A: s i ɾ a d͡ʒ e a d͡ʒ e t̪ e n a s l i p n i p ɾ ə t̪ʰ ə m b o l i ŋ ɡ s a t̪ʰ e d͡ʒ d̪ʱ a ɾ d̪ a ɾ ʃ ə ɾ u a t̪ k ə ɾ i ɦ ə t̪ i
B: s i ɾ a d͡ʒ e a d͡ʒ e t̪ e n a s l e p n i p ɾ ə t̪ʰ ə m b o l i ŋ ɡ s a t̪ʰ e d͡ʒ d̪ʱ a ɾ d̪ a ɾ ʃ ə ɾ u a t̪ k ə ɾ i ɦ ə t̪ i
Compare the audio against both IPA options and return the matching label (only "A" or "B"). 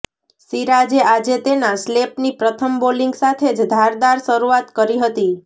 B